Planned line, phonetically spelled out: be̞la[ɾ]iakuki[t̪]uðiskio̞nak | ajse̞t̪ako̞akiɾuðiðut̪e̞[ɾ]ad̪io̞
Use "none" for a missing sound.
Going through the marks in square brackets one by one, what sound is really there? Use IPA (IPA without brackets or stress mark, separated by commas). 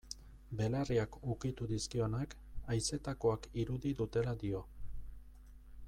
r, t̪, l